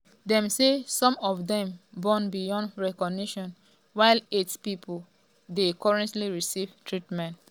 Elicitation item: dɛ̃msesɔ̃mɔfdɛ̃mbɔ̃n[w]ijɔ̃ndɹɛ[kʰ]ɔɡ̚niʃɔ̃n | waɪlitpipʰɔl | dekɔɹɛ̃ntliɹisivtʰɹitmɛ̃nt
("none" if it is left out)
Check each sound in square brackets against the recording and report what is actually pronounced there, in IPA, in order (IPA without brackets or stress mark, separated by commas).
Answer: b, k